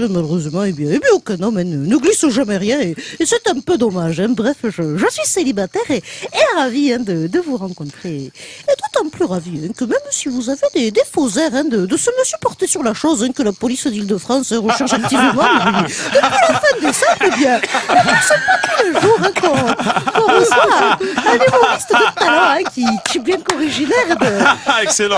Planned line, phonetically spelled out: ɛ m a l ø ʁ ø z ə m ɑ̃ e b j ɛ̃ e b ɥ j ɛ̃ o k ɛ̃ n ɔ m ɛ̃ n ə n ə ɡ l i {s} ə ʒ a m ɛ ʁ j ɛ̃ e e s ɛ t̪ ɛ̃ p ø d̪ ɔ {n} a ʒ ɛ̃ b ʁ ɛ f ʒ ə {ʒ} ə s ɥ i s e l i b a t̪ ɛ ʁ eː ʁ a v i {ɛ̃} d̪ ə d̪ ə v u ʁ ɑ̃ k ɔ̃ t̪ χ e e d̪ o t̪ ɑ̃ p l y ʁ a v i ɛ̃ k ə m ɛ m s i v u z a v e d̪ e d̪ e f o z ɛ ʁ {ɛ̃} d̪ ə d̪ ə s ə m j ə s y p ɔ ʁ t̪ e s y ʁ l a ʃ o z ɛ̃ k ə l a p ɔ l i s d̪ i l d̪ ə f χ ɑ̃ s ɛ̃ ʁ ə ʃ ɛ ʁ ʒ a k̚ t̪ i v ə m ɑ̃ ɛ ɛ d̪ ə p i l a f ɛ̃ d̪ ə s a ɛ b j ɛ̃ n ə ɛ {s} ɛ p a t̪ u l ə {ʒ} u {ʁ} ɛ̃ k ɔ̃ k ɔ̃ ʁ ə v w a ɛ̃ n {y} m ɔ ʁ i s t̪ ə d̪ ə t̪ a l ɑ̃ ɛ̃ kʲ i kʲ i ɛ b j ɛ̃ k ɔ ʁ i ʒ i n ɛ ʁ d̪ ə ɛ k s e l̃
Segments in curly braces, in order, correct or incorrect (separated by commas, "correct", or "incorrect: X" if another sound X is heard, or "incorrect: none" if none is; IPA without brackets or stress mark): correct, incorrect: m, correct, correct, correct, correct, correct, correct, correct